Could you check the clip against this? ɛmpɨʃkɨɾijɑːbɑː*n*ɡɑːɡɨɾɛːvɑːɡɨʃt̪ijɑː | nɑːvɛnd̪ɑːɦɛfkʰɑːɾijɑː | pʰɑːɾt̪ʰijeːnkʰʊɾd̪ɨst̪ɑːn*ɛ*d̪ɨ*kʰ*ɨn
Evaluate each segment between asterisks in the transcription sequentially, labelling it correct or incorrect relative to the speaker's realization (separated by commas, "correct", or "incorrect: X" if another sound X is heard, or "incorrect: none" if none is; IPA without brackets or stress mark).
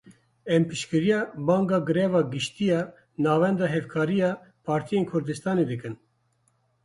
incorrect: ŋ, incorrect: e, incorrect: k